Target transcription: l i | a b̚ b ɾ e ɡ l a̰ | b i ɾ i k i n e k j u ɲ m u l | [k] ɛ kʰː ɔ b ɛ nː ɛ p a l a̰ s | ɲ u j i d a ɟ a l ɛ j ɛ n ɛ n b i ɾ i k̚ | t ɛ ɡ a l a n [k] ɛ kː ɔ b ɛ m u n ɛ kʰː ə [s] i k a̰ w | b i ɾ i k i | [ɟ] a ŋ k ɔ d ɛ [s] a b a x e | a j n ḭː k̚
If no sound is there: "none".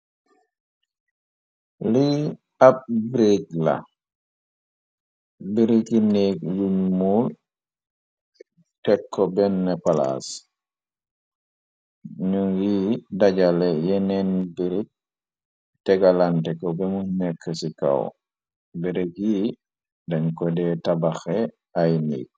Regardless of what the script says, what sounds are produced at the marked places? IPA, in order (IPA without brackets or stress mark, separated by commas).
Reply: t, t, s, d, t